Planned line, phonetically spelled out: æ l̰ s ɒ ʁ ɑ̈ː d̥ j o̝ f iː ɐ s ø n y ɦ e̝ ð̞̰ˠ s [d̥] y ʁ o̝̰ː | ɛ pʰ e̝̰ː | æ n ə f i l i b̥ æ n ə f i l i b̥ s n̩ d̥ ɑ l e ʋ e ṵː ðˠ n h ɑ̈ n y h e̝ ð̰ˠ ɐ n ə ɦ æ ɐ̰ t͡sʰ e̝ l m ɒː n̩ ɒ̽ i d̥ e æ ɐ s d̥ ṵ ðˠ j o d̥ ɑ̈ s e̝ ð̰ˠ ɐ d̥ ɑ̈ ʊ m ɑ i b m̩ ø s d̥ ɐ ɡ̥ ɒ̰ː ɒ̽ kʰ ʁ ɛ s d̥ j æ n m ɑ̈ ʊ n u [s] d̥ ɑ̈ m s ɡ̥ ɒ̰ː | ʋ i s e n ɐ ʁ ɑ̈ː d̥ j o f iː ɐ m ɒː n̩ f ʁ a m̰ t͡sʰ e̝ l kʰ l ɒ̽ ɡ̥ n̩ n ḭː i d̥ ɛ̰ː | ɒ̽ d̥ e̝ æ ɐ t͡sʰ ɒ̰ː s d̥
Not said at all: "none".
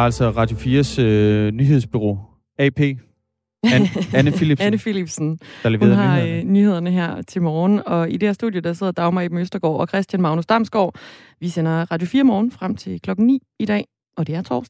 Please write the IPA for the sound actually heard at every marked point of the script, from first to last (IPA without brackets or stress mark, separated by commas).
b̥, s